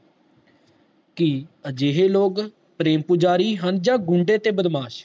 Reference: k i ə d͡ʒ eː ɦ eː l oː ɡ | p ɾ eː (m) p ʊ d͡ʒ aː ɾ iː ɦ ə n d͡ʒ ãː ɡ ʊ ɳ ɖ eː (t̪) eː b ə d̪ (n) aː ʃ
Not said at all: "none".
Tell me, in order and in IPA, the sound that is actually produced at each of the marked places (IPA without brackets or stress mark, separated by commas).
m, t̪, m